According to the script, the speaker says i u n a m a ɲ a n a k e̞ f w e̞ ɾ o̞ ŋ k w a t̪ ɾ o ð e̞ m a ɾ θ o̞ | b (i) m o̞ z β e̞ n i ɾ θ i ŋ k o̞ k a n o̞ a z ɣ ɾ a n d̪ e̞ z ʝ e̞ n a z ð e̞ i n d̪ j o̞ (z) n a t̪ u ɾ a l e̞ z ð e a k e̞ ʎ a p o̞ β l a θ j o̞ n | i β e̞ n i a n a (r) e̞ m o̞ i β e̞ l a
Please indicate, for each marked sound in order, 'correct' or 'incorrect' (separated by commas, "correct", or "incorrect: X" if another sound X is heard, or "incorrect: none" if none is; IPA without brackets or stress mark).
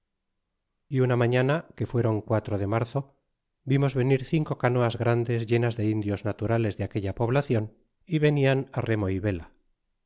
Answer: correct, correct, correct